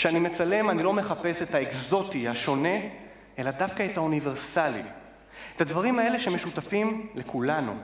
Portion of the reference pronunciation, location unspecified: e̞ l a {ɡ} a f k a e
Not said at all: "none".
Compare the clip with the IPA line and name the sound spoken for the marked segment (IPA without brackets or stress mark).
d